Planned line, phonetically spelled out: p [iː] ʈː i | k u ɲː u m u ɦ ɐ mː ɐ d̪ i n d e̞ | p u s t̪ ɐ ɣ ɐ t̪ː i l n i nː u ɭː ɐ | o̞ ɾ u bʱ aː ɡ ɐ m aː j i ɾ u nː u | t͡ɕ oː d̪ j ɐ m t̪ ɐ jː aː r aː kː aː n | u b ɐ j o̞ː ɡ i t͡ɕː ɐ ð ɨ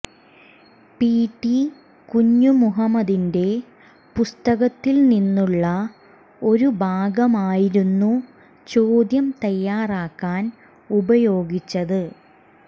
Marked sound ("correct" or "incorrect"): correct